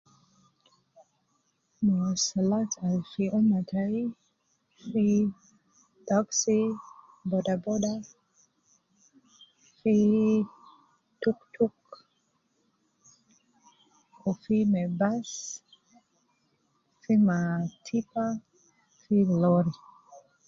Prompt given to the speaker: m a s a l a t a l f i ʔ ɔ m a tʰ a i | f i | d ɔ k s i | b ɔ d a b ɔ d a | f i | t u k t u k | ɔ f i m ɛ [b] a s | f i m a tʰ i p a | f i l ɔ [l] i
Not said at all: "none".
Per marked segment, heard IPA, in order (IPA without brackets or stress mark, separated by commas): b, ɾ